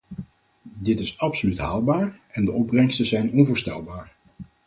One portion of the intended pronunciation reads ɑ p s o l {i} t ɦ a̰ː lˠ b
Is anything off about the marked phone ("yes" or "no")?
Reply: yes